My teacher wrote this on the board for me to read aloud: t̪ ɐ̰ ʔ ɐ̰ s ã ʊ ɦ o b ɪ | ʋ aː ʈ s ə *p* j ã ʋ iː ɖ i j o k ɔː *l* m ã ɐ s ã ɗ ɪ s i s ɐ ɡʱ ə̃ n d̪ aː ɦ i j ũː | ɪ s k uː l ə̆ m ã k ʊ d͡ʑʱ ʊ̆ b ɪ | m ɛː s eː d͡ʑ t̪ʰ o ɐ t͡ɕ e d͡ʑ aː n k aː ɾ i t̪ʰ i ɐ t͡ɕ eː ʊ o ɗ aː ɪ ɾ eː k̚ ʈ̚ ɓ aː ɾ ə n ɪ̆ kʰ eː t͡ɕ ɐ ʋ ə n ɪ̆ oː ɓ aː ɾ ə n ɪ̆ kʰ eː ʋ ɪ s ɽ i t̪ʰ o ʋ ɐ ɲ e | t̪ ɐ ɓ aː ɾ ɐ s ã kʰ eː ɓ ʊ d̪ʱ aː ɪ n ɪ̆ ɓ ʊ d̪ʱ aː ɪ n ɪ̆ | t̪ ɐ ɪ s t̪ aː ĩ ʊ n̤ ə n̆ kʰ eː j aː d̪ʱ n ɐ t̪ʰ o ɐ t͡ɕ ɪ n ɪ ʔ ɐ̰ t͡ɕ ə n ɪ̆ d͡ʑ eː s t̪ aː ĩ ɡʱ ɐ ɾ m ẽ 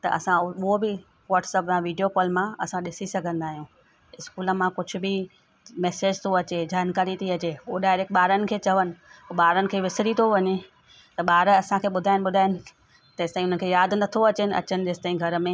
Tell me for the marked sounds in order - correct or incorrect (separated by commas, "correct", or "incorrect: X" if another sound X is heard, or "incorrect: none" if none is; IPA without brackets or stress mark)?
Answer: correct, correct